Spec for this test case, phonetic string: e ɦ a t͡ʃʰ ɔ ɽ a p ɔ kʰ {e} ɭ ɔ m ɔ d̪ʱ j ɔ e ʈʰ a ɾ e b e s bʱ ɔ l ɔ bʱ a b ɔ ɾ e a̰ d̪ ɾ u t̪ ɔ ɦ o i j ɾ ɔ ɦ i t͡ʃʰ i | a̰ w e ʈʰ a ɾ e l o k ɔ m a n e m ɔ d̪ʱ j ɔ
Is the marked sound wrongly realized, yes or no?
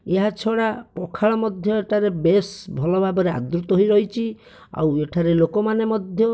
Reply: yes